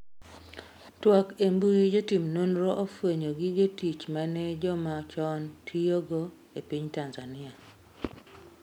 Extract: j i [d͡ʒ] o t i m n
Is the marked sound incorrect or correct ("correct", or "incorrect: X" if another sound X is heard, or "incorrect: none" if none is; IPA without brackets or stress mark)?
correct